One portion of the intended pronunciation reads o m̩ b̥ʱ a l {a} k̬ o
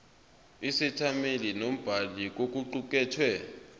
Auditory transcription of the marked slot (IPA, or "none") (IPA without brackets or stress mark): i